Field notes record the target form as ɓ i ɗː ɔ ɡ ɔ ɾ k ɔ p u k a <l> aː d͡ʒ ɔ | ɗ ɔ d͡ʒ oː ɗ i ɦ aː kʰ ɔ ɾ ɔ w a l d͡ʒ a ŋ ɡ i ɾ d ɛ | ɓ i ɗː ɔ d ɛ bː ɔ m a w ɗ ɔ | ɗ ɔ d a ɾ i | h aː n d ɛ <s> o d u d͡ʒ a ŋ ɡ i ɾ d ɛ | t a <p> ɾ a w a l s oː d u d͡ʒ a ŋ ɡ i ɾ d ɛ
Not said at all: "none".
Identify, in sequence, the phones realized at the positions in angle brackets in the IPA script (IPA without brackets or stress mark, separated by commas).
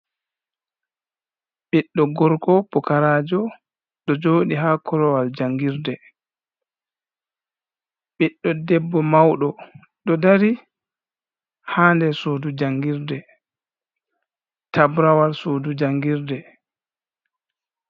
ɾ, s, b